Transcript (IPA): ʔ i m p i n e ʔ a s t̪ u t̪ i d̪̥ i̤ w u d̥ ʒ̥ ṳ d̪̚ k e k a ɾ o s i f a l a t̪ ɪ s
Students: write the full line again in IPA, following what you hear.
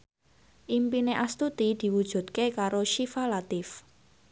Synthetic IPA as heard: ʔ i m p i n e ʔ a s t̪ u t̪ i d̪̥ i̤ w u d̥ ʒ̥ ṳ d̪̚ k e k a ɾ o ʃ i f a l a t̪ ɪ f